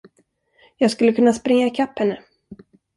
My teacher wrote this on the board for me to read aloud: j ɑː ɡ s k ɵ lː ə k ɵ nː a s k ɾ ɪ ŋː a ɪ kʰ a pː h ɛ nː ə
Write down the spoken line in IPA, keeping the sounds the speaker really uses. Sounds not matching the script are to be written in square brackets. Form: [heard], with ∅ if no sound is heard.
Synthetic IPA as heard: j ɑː ɡ s k ɵ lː ə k ɵ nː a s [p] ɾ ɪ ŋː a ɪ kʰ a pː h ɛ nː ə